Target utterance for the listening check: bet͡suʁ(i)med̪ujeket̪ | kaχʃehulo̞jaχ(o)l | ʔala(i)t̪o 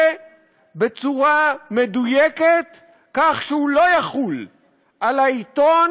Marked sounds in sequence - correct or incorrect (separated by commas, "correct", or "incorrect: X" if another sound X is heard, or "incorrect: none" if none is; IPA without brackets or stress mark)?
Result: incorrect: a, incorrect: u, correct